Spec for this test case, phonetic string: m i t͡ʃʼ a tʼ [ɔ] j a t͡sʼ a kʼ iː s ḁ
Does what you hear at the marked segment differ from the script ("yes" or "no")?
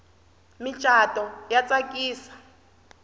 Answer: no